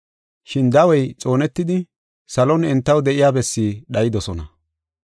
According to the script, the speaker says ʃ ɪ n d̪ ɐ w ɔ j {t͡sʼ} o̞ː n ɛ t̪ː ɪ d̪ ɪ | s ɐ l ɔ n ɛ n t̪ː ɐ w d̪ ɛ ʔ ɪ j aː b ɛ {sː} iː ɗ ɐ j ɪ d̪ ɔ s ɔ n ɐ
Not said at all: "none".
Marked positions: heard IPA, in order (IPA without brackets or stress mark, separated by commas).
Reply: t͡sʼ, sː